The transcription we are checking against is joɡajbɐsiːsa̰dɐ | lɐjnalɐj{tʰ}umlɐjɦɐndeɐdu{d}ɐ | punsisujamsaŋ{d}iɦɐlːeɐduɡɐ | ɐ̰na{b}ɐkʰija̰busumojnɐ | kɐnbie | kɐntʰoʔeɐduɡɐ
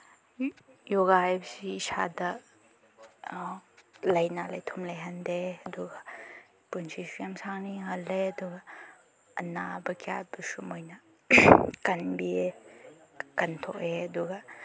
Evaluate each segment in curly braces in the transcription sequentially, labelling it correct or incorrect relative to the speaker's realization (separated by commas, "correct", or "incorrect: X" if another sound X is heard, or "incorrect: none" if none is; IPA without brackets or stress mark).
correct, incorrect: ɡ, incorrect: n, correct